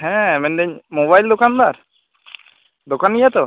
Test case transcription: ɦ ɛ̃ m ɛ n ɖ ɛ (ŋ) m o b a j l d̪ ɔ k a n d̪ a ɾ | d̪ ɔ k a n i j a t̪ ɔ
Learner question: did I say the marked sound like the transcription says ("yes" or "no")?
no